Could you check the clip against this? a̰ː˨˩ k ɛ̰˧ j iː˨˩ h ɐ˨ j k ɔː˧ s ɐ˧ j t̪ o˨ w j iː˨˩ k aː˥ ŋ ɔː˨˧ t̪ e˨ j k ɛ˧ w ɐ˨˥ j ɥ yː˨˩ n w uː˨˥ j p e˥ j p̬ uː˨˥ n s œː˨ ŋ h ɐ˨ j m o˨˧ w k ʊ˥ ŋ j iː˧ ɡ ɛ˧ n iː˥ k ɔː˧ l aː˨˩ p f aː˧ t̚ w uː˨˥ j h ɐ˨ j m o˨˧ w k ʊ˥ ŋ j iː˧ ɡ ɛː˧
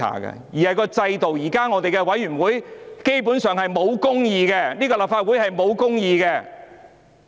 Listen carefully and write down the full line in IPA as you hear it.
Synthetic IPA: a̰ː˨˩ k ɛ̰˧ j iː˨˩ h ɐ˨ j k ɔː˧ t͡s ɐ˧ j t̪ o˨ w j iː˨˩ k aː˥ ŋ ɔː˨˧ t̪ e˨ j k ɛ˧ w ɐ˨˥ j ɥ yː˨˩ n w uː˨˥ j k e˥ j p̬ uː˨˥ n s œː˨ ŋ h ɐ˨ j m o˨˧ w k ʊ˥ ŋ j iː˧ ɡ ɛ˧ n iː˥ k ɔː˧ l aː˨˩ p f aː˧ t̚ w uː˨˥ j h ɐ˨ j m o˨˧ w k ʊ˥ ŋ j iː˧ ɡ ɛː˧